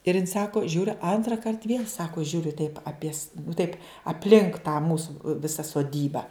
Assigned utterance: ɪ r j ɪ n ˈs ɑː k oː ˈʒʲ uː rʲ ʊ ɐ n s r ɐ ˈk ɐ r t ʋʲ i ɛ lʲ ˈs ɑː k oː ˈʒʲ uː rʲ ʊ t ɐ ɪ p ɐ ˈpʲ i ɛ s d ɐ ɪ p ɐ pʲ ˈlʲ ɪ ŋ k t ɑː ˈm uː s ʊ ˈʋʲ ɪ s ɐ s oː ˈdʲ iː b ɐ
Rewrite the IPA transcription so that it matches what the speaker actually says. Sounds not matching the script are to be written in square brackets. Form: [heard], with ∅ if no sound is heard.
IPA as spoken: ɪ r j ɪ n ˈs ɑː k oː ˈʒʲ uː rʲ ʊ ɐ n [t] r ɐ ˈk ɐ r t ʋʲ i ɛ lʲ ˈs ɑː k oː ˈʒʲ uː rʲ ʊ t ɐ ɪ p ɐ ˈpʲ i ɛ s [t] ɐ ɪ p ɐ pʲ ˈlʲ ɪ ŋ k t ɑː ˈm uː s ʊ ˈʋʲ ɪ s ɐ s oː ˈdʲ iː b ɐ